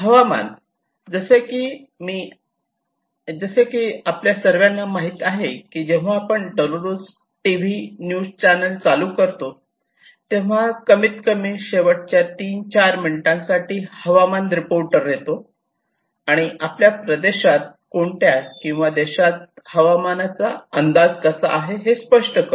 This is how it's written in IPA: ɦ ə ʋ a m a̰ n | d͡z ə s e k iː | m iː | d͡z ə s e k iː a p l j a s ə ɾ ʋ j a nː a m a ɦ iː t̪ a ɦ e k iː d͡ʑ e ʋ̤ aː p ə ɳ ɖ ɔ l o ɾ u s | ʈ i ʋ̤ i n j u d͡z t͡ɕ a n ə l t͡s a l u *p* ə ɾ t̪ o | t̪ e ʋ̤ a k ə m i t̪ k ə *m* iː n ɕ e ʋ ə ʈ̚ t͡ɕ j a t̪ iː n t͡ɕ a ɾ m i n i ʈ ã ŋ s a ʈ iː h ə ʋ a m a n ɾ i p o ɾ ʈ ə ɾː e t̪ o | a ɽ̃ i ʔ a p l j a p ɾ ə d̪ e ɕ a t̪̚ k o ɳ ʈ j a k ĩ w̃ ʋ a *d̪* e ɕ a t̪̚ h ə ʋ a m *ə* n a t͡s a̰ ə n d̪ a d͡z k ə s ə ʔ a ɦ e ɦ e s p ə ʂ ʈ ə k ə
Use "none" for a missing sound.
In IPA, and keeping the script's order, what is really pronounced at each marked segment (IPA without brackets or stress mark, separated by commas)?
k, m, d̪, a